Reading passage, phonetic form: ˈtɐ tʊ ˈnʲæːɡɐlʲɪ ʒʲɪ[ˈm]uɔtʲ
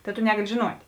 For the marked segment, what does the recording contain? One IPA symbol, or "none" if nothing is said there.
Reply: n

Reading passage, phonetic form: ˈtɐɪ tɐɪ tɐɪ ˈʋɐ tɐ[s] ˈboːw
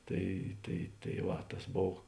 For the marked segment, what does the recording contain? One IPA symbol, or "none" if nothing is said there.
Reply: s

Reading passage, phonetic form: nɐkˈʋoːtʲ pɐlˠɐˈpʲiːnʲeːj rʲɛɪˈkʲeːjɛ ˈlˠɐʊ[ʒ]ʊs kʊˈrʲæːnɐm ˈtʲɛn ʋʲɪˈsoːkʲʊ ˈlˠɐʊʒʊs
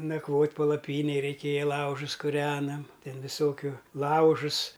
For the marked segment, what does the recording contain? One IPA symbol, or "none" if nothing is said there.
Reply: ʒ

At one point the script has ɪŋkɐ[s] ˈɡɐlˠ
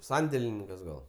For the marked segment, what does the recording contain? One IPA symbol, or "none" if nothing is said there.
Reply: s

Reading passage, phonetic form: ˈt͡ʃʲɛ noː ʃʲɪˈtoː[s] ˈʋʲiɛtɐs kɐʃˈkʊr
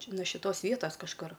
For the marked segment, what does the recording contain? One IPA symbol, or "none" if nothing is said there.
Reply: s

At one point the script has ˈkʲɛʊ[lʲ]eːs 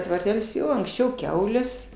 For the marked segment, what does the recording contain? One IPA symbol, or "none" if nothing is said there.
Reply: lʲ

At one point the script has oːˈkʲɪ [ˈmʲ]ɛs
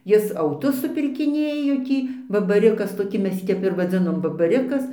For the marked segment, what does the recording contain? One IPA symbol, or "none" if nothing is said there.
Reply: mʲ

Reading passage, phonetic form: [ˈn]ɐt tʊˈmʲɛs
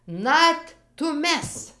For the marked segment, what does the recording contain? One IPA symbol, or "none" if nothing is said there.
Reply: n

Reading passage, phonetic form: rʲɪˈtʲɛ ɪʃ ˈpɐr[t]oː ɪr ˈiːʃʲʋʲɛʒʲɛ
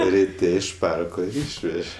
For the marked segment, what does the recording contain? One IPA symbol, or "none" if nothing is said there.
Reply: k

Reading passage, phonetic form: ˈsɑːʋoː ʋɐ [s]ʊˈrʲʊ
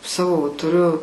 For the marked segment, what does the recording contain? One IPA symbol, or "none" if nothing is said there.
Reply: t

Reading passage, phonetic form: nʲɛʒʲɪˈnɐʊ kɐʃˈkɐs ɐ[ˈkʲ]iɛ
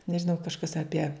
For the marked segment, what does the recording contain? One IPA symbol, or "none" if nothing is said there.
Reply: pʲ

